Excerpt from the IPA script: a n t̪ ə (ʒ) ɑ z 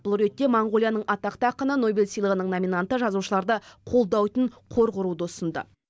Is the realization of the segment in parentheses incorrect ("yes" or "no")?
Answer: no